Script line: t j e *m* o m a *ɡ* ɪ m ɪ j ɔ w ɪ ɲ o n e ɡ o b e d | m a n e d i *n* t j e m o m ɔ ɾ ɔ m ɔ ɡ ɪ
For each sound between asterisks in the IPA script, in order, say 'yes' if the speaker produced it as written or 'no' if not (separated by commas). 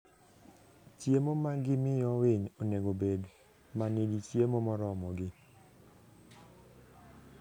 yes, yes, no